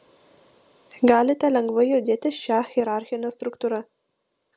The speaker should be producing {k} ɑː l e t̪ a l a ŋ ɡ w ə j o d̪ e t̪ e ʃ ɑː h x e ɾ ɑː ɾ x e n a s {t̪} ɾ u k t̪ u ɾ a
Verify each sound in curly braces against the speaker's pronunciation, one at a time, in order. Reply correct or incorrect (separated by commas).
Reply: incorrect, correct